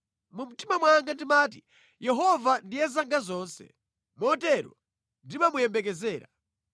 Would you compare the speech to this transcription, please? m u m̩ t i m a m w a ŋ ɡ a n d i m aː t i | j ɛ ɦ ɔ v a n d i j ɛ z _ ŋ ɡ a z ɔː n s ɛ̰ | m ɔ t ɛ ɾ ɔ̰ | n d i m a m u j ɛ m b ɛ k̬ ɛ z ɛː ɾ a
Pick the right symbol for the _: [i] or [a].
a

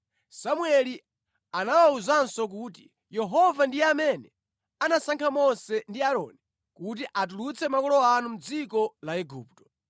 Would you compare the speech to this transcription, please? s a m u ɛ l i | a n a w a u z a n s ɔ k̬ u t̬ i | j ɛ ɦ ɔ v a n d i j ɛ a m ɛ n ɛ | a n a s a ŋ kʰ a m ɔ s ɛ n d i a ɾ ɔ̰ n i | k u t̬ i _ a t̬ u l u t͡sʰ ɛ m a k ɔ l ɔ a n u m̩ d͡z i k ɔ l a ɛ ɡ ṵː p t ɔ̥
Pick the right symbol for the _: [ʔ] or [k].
ʔ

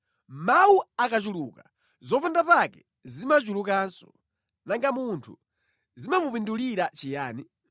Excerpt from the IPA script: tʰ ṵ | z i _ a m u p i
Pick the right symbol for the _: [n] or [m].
m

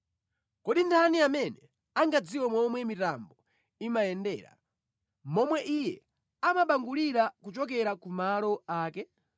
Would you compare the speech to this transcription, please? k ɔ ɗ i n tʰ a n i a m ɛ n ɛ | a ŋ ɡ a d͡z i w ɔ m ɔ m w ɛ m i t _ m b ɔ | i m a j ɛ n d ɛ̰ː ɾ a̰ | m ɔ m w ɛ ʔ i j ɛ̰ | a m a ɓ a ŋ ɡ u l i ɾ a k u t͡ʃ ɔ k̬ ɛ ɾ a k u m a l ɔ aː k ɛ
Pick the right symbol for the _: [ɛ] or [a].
a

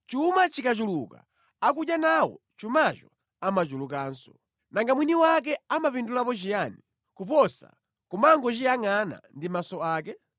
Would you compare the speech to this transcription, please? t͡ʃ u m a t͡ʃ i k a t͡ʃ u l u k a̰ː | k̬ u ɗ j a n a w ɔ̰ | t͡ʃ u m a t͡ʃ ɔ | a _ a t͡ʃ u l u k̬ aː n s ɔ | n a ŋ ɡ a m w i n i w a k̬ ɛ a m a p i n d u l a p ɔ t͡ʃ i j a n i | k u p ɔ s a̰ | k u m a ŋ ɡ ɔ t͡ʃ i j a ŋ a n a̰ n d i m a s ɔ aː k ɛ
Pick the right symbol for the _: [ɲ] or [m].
m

